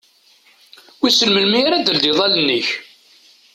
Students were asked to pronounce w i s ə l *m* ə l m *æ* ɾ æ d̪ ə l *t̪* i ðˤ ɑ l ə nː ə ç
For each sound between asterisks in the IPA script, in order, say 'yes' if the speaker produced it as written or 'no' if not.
yes, no, no

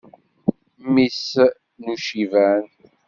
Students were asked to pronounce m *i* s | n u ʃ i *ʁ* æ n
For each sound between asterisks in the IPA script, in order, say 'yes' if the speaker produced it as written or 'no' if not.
yes, no

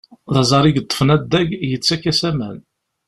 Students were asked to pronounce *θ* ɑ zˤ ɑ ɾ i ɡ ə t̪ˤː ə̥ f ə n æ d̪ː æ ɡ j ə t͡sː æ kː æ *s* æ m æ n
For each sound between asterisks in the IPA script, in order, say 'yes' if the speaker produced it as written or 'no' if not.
no, yes

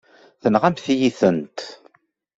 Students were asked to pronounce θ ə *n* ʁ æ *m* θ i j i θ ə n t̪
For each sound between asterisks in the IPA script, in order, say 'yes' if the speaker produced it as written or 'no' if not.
yes, yes

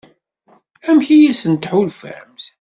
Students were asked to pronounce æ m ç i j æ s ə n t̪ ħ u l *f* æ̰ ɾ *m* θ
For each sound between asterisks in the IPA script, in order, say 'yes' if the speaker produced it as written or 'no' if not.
yes, yes

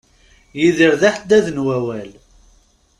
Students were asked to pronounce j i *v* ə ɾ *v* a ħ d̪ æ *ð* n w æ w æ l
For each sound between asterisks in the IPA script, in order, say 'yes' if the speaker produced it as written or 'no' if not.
no, no, yes

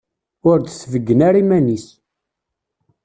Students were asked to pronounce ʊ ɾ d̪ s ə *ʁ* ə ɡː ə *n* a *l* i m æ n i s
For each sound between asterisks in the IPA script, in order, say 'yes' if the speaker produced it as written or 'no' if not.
no, yes, no

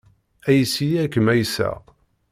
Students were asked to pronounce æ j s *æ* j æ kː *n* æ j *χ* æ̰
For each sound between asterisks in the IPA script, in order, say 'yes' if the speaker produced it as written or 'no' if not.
no, no, no

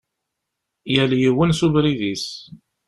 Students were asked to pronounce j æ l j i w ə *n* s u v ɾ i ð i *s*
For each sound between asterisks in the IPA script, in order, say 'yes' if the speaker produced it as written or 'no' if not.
yes, yes

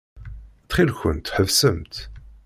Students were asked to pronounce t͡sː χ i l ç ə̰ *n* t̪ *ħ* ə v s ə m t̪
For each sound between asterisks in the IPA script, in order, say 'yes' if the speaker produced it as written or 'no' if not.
yes, yes

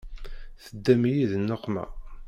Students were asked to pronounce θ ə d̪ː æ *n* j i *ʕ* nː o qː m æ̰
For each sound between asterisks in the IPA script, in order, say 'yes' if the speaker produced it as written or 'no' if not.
no, no

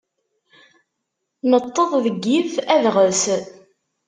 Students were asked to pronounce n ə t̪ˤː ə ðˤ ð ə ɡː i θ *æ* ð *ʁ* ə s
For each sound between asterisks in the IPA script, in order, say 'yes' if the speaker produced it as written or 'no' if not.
yes, yes

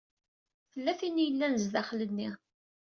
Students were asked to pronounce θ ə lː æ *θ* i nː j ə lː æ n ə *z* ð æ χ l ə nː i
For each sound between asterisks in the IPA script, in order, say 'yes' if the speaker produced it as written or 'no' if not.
yes, yes

